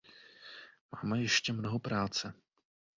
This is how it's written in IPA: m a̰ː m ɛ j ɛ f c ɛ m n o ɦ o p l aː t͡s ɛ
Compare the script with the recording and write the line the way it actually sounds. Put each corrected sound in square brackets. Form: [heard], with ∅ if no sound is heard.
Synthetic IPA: m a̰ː m ɛ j ɛ [ʃ] c ɛ m n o ɦ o p [ɾ] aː t͡s ɛ